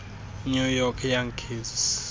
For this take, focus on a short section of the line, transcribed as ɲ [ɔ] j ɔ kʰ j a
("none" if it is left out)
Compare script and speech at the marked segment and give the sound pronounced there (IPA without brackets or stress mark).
u